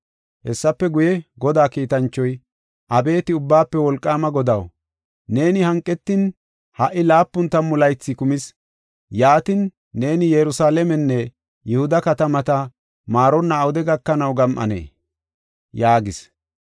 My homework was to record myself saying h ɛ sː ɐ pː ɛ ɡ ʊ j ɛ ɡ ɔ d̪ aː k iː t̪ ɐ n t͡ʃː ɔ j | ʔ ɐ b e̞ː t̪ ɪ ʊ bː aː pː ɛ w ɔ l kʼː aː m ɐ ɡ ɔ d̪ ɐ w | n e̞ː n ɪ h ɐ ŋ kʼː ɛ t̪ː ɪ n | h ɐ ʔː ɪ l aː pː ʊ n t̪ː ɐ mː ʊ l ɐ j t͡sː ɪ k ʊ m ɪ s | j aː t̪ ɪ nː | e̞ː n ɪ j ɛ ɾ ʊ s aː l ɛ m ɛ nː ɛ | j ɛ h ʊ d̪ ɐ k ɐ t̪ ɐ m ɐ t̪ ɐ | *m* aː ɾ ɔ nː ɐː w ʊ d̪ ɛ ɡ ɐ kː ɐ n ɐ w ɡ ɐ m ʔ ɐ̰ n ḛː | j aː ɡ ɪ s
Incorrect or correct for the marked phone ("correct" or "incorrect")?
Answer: correct